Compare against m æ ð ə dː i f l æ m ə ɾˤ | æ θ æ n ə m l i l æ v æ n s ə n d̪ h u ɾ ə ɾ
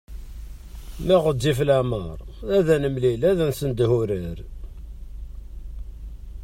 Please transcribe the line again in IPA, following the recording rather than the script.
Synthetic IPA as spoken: m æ ʁ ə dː i f l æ m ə ɾˤ | æ ð æ n ə m l i l æ ð æ n s ə n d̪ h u ɾ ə ɾ